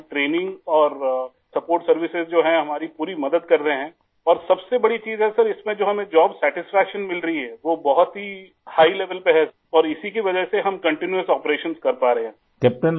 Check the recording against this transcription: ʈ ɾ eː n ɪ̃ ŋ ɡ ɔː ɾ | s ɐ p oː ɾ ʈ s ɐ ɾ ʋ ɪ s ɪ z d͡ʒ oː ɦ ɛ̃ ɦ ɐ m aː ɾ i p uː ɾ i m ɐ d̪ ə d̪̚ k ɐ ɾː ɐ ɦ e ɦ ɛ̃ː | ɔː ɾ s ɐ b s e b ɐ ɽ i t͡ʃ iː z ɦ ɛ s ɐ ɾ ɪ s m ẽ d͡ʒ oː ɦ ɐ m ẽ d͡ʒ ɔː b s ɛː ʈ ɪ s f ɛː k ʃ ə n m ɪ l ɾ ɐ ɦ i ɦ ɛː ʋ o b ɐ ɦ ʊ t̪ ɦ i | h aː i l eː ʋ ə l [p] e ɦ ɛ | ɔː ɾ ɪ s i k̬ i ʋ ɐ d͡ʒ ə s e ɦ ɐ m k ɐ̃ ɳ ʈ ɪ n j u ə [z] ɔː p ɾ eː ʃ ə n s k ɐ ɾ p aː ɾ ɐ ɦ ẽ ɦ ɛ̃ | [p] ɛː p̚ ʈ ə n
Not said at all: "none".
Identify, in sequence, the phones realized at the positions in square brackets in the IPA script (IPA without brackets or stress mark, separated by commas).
p, s, k